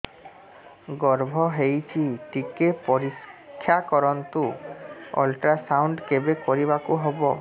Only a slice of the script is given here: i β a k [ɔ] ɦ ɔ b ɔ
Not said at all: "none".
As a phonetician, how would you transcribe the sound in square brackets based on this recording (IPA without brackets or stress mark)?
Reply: u